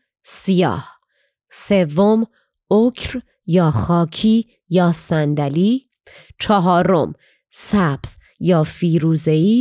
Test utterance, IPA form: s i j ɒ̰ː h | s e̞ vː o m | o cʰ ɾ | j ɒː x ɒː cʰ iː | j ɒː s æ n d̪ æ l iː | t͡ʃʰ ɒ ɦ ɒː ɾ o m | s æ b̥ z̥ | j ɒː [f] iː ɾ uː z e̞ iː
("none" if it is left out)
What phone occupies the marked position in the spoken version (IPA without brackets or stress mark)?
f